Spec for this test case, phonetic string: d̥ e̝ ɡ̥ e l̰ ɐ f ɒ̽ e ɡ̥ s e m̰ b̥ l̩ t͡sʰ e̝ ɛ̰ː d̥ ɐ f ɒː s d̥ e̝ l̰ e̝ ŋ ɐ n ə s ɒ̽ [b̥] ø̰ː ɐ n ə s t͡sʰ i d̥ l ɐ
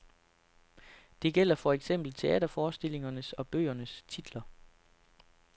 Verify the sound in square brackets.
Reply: correct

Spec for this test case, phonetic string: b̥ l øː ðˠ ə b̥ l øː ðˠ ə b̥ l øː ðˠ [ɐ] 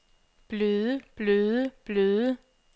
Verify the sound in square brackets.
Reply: incorrect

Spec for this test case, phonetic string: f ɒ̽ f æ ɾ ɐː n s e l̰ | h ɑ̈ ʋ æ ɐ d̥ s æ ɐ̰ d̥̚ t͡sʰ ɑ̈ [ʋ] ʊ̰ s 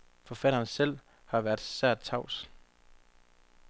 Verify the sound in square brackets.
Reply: incorrect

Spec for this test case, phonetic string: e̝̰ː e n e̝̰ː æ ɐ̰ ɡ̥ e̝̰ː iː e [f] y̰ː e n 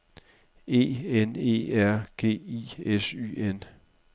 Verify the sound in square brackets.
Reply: incorrect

